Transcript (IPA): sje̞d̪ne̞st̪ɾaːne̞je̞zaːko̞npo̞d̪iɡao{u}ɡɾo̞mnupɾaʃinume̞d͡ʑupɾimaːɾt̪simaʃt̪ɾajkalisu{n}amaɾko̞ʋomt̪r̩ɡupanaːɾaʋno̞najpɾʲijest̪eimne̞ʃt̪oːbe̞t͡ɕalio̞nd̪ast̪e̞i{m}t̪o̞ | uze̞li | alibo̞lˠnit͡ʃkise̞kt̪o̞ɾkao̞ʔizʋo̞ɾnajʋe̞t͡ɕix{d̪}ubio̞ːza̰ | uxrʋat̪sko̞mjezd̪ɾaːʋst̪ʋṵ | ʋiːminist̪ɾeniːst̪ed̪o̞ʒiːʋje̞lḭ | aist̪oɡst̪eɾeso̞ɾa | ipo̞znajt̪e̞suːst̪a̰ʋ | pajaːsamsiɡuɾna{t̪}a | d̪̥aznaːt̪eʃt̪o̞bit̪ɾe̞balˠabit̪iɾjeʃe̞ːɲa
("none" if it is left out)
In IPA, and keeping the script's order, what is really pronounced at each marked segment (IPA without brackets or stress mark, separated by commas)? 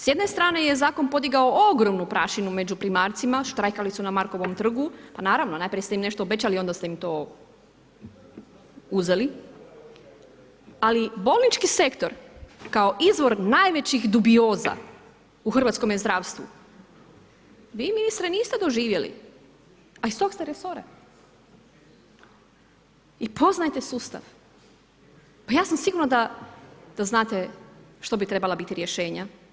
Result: o, n, m, d̪, d̪